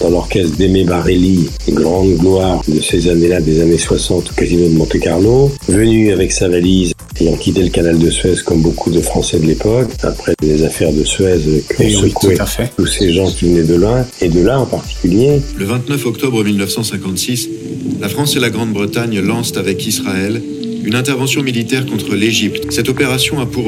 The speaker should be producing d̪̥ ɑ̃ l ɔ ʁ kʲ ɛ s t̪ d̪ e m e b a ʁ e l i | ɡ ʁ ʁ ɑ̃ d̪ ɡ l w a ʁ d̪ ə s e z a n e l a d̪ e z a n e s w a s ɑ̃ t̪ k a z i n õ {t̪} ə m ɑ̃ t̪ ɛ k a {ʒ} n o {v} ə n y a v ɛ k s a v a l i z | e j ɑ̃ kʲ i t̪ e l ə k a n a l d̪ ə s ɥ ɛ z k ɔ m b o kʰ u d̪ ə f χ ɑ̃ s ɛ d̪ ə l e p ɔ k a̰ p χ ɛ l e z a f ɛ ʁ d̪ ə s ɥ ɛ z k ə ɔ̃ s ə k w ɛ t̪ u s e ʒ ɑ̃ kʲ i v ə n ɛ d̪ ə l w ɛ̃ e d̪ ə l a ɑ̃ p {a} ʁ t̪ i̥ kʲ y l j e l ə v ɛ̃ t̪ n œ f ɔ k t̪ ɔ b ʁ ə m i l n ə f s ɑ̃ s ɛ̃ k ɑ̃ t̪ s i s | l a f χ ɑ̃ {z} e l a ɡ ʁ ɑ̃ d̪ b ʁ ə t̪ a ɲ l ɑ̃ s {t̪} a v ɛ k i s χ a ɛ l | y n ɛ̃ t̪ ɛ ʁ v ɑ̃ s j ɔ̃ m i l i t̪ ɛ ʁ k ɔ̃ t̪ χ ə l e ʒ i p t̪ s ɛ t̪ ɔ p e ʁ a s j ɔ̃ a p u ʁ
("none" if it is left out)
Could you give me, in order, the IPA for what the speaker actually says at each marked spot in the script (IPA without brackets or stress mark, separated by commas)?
d̪, ʁ, v, a, s, t̪